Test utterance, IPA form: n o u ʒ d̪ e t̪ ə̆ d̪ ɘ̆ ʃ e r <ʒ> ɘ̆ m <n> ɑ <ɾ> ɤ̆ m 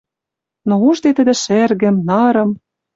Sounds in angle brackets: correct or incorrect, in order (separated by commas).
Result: incorrect, correct, correct